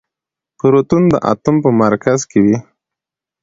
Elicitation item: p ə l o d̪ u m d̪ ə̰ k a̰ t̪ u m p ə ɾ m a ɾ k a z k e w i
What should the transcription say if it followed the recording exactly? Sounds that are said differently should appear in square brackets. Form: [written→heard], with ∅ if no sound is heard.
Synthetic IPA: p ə [l→ɾ] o [d̪→t̪] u [m→n] d̪ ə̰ [k→ʔ] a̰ t̪ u m p ə [ɾ→∅] m a ɾ k a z k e w i